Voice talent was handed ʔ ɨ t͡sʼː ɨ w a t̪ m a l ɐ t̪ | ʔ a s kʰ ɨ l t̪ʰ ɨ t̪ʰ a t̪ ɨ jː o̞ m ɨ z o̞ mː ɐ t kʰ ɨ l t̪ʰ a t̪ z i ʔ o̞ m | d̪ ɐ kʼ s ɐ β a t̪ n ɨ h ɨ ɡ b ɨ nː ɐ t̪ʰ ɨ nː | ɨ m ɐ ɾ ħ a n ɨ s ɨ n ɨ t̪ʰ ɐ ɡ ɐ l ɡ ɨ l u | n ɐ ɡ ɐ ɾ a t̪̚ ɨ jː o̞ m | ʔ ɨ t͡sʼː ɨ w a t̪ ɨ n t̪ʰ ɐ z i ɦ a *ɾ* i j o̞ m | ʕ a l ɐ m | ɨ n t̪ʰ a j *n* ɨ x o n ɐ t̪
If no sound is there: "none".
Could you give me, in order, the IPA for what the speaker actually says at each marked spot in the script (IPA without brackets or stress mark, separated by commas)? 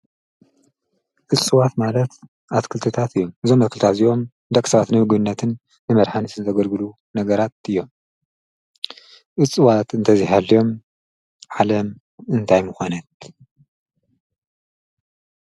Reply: l, m